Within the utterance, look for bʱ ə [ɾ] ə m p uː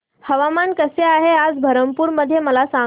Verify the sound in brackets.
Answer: correct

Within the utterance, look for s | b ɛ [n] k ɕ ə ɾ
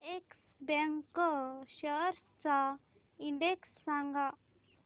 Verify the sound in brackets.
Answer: incorrect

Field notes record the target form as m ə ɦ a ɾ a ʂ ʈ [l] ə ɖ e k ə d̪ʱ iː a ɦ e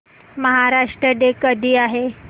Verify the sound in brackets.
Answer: incorrect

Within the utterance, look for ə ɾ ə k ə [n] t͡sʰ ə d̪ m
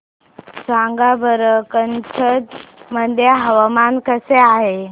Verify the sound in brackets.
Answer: correct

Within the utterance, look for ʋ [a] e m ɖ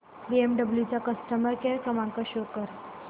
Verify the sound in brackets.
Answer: incorrect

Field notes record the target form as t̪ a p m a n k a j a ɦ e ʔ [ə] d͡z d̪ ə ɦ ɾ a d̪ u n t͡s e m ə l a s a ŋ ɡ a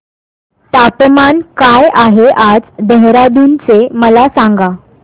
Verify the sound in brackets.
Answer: incorrect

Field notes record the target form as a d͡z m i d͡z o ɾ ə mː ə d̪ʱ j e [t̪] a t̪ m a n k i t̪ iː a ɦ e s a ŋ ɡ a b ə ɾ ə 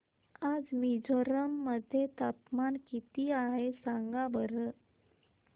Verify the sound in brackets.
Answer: correct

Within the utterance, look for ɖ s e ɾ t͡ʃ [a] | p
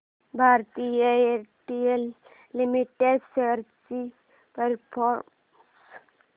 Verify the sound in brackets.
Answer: incorrect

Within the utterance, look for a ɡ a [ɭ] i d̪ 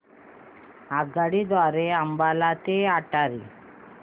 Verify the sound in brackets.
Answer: incorrect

